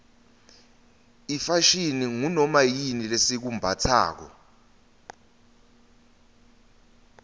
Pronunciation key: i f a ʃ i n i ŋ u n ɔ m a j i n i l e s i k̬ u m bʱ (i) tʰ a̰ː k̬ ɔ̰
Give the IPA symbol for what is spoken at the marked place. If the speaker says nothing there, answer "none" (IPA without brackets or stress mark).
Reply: a